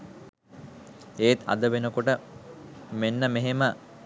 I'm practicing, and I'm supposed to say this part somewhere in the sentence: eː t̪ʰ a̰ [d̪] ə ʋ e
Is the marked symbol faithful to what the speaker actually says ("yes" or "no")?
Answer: yes